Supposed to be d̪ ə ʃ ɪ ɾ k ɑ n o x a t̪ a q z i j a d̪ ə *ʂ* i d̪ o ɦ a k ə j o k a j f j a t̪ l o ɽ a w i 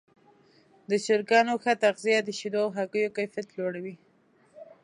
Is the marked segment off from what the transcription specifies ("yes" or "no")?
yes